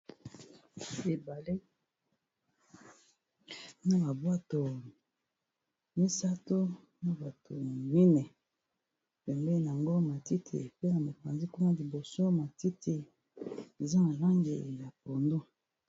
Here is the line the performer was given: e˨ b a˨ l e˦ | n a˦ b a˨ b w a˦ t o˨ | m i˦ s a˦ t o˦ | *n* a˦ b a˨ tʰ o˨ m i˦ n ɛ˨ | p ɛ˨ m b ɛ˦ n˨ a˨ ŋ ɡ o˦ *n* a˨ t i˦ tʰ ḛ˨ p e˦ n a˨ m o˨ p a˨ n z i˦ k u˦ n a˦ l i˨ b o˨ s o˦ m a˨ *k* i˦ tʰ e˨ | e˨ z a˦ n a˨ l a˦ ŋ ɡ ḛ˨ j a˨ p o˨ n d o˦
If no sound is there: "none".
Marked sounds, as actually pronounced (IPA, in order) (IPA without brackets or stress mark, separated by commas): n, m, t